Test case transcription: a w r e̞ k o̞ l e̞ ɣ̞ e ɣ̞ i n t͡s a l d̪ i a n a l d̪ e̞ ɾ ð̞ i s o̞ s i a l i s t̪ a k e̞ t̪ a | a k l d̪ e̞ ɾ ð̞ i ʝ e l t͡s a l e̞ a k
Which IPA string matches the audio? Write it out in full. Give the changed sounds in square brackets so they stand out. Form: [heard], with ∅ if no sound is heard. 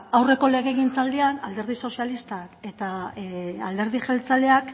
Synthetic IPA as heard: a w r e̞ k o̞ l e̞ ɣ̞ e ɣ̞ i n t͡s a l d̪ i a n a l d̪ e̞ ɾ ð̞ i s o̞ s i a l i s t̪ a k e̞ t̪ a | a [∅] l d̪ e̞ ɾ ð̞ i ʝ e l t͡s a l e̞ a k